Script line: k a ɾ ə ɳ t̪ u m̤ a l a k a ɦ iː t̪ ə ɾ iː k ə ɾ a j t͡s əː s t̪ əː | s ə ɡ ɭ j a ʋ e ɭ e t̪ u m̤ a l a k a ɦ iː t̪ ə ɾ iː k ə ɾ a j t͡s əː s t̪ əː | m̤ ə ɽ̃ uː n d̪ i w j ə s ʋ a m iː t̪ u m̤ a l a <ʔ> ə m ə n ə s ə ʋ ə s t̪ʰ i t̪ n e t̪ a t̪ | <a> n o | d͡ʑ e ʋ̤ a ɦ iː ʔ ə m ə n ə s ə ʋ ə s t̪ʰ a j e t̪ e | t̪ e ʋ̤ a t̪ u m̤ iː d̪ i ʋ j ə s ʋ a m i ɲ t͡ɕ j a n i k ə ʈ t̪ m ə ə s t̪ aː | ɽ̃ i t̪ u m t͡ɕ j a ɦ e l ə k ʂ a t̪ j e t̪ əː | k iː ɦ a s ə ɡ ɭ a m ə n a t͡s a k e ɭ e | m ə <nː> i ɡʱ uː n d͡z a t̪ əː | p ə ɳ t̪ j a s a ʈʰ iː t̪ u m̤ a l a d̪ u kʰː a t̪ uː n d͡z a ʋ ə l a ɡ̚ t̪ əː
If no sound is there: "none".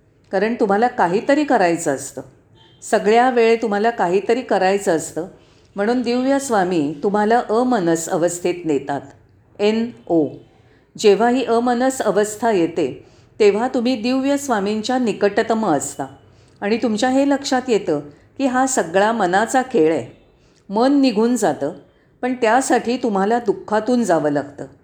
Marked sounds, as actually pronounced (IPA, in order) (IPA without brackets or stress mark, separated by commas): ʔ, e, nː